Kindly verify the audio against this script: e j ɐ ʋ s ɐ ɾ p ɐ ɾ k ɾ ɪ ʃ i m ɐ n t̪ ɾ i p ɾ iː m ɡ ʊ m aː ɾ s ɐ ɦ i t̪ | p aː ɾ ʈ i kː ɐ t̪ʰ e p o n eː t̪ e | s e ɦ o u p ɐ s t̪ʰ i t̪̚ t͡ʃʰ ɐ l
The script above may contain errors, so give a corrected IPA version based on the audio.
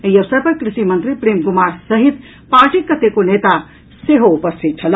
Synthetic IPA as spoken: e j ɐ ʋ s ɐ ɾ p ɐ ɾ k ɾ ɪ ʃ i m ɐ n t̪ ɾ i p ɾ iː m ɡ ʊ m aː ɾ s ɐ ɦ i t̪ | p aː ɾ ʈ i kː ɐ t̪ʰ e k o n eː t̪ a | s e ɦ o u p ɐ s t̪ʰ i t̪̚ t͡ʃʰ ɐ l